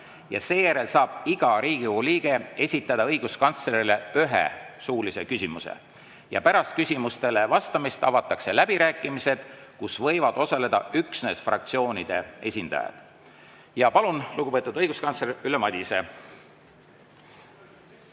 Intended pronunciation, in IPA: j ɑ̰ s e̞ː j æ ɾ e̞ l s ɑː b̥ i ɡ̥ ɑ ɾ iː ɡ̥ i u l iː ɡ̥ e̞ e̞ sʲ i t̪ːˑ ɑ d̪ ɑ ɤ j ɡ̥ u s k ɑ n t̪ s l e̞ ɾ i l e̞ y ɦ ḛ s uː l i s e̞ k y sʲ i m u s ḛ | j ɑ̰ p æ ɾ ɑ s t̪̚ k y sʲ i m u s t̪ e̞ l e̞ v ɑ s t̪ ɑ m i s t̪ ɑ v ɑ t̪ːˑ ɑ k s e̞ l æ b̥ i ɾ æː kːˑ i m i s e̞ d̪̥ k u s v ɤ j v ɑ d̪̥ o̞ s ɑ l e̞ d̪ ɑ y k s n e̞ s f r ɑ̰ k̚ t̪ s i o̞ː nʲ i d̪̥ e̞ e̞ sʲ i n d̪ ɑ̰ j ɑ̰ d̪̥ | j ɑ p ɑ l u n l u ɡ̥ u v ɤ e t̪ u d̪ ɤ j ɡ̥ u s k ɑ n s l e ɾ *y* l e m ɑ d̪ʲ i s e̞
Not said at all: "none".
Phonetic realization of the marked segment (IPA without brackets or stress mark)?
y